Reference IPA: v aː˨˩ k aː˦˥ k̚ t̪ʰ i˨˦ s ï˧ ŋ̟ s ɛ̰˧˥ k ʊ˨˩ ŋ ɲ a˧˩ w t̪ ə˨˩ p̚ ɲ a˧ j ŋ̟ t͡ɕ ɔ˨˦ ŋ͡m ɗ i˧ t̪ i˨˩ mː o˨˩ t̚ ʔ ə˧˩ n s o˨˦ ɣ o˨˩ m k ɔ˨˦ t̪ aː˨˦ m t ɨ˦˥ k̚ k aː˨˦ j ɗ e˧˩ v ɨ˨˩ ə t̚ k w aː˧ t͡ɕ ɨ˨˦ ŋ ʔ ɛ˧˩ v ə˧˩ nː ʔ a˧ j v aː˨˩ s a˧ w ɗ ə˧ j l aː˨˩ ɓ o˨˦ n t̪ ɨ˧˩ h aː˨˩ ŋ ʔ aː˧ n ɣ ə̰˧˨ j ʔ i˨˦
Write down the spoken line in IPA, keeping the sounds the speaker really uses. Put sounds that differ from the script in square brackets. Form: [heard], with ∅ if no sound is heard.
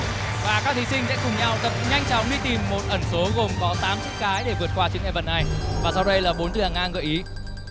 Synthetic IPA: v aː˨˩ k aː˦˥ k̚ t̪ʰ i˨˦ s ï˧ ŋ̟ s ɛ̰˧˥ k ʊ˨˩ [ŋ͡m] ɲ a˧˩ w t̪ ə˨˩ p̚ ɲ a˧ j ŋ̟ t͡ɕ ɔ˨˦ ŋ͡m ɗ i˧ t̪ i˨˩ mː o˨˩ t̚ ʔ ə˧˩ n s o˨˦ ɣ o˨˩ m k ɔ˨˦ t̪ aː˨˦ m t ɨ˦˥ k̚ k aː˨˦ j ɗ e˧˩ v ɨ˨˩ ə t̚ k w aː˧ t͡ɕ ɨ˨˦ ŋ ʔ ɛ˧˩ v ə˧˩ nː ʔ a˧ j v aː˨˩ s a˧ w ɗ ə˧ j l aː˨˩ ɓ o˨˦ n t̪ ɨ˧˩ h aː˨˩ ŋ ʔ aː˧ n ɣ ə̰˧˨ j ʔ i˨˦